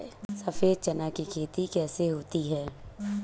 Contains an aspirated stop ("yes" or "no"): yes